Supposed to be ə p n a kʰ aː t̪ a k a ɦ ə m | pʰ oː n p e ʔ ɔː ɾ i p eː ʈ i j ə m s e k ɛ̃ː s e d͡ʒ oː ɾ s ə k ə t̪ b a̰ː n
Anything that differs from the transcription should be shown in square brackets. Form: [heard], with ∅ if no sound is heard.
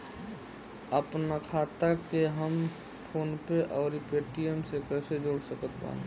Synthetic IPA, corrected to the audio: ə p n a kʰ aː t̪ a k [e] ɦ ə m | pʰ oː n p e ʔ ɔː ɾ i p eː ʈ i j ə m s e k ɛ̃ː s e d͡ʒ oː [ɽ] s ə k ə t̪ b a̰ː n